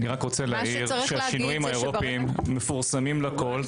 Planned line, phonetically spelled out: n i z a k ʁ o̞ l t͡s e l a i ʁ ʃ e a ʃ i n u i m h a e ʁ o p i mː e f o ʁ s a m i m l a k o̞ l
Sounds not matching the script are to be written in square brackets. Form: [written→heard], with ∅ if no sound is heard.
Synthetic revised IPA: n i [z→ʁ] a k ʁ o̞ [l→∅] t͡s e l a i ʁ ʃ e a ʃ i n u i m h a e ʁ o p i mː e f [o→u] ʁ s a m i m l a k o̞ l